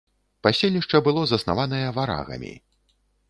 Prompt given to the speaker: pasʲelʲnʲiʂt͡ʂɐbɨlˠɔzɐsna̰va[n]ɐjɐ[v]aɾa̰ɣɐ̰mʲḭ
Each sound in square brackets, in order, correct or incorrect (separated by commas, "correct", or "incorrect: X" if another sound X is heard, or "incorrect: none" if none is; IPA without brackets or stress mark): correct, correct